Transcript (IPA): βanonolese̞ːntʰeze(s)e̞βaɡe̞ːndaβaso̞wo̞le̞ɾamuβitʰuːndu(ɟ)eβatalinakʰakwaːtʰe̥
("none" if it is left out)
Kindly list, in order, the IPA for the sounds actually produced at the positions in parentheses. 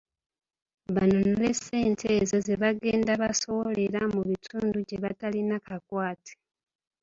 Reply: z, ɟ

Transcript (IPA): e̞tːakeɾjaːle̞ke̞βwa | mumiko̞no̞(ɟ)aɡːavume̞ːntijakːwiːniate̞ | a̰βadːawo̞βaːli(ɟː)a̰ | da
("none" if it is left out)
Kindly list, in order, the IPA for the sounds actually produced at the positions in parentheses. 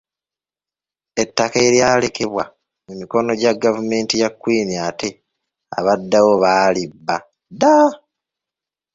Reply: ɟ, bː

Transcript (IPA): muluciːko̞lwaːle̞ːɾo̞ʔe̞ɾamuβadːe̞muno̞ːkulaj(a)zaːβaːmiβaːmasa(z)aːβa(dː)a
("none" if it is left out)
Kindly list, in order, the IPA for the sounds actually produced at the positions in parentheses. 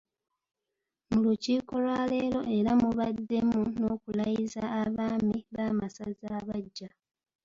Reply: i, z, ɟː

